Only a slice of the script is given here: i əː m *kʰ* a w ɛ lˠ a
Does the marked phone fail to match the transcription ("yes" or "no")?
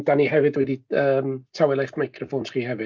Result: yes